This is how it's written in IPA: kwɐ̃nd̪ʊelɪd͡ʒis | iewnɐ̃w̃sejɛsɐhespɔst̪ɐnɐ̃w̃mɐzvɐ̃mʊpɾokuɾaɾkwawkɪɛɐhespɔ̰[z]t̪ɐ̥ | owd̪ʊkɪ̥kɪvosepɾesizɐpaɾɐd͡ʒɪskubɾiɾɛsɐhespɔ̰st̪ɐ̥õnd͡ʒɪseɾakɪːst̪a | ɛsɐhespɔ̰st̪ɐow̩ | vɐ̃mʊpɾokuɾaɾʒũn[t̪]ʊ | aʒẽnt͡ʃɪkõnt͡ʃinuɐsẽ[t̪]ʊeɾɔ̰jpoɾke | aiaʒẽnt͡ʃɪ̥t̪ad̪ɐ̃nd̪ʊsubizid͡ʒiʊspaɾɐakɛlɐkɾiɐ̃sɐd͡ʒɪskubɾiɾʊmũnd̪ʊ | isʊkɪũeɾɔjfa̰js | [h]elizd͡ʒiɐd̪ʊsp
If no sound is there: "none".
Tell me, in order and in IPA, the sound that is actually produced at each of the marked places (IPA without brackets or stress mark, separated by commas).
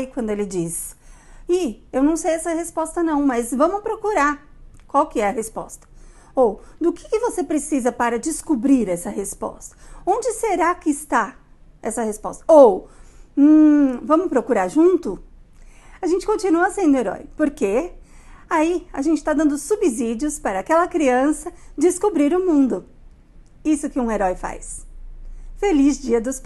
s, t̪, d̪, f